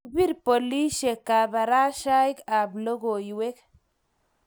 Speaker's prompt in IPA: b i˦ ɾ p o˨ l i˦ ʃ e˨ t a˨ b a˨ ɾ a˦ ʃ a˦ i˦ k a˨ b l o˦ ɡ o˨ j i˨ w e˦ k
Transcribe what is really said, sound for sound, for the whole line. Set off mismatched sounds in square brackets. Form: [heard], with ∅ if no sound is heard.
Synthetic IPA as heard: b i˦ ɾ p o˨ l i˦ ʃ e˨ [k] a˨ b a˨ ɾ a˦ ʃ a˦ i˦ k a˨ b l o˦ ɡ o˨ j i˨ w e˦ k